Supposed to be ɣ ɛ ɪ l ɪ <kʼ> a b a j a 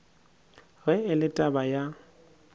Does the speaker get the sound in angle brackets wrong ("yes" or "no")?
yes